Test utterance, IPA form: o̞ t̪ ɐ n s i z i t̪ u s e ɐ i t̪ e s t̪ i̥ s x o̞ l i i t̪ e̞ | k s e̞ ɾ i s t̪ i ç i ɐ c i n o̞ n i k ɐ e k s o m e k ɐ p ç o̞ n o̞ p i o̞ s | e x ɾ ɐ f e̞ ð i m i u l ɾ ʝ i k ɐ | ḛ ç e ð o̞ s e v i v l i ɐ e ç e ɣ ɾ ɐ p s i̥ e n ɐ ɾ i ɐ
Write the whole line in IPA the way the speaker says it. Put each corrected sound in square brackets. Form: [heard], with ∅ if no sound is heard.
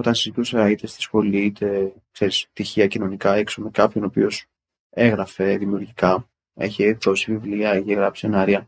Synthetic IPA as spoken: o̞ t̪ ɐ n s i z i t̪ u s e ɐ i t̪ e s t̪ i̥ s x o̞ l i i t̪ e̞ | k s e̞ ɾ i s t̪ i ç i ɐ c i n o̞ n i k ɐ e k s o m e k ɐ p ç o̞ n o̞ p i o̞ s | e [ɣ] ɾ ɐ f e̞ ð i m i u [∅] ɾ ʝ i k ɐ | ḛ ç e ð o̞ s [i] v i v l i ɐ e ç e ɣ ɾ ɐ p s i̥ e n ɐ ɾ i ɐ